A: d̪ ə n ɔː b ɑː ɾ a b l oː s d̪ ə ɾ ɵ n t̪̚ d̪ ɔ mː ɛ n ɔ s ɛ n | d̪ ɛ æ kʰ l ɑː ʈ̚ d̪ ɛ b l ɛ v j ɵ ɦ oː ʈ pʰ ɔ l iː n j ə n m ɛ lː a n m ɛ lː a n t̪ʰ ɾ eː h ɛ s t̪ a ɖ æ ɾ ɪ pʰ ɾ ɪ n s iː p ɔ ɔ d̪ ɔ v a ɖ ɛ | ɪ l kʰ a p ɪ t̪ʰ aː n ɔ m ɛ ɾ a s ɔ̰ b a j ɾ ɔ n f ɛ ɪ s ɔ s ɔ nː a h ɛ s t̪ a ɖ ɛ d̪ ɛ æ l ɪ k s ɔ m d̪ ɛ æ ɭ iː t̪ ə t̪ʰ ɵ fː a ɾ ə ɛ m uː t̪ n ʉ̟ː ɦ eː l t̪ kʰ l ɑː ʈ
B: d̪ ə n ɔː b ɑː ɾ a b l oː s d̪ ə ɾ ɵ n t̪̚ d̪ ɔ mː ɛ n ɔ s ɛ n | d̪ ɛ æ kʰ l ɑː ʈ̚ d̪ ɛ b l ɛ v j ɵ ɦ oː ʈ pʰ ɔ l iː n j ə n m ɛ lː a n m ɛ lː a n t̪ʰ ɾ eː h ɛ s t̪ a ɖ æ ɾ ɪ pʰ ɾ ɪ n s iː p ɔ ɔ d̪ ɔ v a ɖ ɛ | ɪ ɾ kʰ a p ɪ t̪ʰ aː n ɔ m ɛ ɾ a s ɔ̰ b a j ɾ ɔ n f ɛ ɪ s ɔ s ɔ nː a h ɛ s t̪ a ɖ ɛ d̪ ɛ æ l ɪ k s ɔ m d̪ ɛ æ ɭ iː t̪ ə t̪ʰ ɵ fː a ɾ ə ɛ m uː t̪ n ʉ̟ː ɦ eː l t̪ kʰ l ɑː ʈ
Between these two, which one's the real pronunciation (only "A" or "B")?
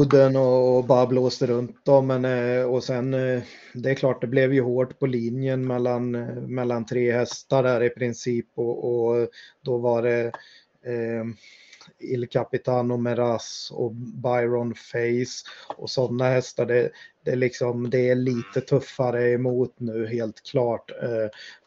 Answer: A